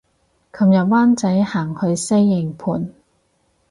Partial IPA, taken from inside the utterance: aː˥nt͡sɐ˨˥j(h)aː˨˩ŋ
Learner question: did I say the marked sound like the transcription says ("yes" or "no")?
yes